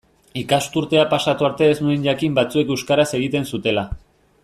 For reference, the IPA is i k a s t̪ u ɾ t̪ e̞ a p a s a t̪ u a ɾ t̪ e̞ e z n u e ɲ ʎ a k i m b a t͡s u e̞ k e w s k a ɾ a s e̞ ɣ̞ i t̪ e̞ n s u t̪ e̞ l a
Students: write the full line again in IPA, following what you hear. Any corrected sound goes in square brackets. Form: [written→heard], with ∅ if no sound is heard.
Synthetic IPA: i k a s t̪ u ɾ t̪ e̞ a p a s a t̪ u a ɾ t̪ e̞ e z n u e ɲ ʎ a k i m b a t͡s u e̞ k e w s k a ɾ a s e̞ ɣ̞ i t̪ e̞ n s u t̪ e̞ l a